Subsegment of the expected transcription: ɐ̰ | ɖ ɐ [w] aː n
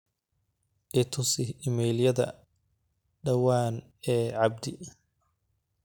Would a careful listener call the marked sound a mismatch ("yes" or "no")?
no